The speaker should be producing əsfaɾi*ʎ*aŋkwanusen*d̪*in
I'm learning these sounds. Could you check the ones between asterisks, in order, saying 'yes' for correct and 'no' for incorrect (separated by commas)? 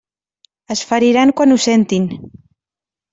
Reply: no, no